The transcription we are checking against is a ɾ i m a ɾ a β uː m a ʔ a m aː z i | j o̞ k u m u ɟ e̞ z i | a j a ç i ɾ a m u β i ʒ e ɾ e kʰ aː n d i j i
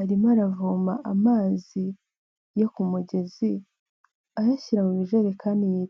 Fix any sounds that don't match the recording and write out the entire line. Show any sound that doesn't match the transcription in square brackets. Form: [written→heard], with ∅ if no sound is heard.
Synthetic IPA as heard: a ɾ i m a ɾ a [β→v] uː m a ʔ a m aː z i | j o̞ k u m u ɟ e̞ z i | a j a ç i ɾ a m u β i ʒ e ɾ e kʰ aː n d i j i